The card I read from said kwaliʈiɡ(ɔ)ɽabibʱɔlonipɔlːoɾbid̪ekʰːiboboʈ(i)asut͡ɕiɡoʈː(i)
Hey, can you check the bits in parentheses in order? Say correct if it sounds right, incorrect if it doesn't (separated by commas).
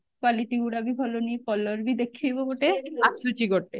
incorrect, incorrect, incorrect